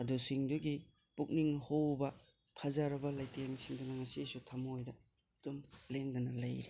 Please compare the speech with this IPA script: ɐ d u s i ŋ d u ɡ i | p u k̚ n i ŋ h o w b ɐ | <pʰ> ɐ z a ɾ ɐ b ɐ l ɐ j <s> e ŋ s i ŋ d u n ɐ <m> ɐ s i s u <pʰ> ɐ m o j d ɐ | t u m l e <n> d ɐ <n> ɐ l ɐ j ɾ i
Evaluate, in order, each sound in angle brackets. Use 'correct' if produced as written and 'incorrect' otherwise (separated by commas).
correct, incorrect, incorrect, incorrect, incorrect, correct